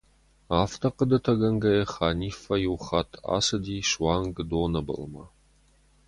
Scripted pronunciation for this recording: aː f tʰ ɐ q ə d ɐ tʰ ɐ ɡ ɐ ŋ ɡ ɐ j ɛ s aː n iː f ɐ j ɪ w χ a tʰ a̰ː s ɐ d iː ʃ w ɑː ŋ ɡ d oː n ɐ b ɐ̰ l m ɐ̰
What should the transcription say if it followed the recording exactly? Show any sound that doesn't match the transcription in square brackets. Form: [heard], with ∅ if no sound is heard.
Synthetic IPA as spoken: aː f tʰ ɐ q ə d ɐ tʰ ɐ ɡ ɐ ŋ ɡ ɐ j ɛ [χ] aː n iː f ɐ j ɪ w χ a tʰ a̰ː s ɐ d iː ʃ w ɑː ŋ ɡ d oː n ɐ b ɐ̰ l m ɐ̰